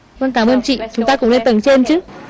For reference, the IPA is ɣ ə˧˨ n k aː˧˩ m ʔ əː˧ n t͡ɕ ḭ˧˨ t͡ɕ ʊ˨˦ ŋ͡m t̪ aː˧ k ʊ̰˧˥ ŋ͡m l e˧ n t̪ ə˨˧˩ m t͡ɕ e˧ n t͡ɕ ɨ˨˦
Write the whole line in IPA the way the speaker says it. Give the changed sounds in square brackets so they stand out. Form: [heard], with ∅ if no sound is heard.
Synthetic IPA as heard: [v] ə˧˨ n k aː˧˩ m ʔ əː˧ n t͡ɕ ḭ˧˨ t͡ɕ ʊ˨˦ ŋ͡m t̪ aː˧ k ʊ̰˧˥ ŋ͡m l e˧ n t̪ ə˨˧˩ [ŋ] t͡ɕ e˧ n t͡ɕ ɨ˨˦